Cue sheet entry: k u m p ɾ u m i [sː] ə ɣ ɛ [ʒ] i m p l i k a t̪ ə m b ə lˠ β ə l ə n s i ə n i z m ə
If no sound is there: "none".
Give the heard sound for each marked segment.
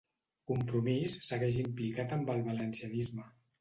sː, ʒ

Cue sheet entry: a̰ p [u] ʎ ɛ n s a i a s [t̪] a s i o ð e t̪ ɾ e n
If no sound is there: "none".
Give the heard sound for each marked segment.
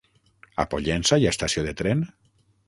o, t̪

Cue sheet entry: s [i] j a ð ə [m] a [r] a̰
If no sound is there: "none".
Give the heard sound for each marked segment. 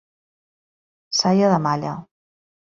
a, m, ʎ

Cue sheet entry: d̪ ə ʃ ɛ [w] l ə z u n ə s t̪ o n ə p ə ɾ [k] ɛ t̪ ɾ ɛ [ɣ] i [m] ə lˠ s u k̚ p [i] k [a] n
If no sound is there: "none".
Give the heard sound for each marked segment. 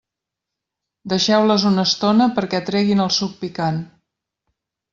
w, k, ɣ, n, i, a

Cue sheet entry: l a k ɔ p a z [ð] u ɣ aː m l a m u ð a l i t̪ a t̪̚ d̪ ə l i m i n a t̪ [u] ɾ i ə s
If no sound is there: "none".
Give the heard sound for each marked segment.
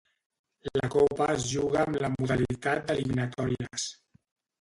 ʒ, ɔ

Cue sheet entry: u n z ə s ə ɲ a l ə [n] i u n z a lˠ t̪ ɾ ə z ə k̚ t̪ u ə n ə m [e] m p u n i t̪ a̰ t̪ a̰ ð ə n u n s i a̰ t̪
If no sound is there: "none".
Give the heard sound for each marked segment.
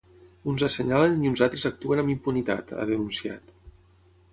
n, i

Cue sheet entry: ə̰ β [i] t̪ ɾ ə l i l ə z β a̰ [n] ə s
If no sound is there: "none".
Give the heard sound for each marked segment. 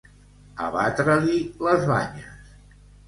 a, ɲ

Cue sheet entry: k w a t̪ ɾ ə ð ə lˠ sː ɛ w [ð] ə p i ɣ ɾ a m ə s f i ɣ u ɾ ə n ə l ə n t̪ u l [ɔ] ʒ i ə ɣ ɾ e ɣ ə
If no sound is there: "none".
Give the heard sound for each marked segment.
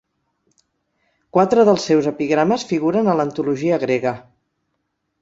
z, u

